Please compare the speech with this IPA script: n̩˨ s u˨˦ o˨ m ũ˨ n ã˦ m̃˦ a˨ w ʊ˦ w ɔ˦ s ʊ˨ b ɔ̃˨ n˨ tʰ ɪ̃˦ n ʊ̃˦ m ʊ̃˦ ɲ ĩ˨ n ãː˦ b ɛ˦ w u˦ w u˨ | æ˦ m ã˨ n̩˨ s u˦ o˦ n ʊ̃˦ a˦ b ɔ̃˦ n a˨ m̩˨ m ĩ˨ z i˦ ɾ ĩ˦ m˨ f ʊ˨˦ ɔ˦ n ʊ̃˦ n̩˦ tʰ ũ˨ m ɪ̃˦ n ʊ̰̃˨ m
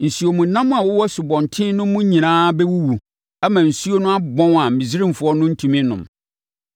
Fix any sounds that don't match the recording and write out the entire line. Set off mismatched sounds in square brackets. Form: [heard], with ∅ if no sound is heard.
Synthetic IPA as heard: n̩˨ s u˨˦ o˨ m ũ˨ n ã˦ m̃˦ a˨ w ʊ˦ w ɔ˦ s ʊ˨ b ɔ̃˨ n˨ tʰ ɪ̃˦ n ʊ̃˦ m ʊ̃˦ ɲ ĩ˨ n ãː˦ b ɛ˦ w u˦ w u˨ | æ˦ m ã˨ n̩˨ s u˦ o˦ n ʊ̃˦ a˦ b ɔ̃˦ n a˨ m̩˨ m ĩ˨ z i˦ ɾ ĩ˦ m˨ f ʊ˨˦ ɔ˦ n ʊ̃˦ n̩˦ tʰ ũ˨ m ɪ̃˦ n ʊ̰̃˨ m